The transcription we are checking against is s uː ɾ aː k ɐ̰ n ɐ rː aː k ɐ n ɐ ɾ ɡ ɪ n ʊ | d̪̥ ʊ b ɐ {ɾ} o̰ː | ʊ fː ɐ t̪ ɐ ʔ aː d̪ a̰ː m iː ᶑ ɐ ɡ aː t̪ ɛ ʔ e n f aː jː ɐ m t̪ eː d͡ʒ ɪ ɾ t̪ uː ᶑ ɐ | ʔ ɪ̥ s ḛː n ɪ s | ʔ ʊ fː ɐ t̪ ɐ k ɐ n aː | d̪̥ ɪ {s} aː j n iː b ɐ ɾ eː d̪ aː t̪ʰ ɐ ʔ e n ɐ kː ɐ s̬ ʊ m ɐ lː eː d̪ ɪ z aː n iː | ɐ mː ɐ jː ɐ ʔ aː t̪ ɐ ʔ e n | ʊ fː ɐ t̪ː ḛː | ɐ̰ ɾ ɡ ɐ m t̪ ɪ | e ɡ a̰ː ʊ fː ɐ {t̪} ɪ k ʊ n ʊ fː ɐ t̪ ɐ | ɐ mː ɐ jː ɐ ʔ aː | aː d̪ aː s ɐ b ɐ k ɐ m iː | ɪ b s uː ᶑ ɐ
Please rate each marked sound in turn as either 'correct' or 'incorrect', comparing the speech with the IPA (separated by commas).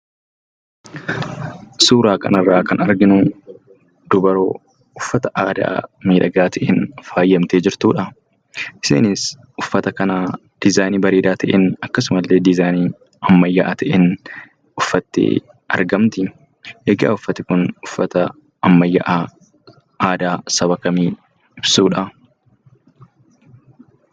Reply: correct, incorrect, correct